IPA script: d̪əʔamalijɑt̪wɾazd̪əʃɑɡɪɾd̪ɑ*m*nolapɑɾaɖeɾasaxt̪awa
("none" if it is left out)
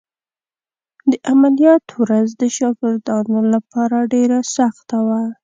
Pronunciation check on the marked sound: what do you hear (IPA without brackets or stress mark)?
none